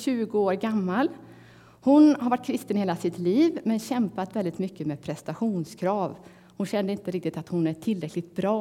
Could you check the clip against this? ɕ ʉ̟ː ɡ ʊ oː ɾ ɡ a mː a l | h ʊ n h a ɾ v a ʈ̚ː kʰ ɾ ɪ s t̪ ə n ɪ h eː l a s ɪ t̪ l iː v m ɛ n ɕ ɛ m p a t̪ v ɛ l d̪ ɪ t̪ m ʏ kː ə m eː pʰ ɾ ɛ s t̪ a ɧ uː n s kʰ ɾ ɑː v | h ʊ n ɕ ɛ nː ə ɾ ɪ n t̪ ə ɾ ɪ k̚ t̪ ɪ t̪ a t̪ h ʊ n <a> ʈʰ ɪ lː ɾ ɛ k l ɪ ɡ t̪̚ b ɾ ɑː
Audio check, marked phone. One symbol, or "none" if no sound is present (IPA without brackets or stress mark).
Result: æ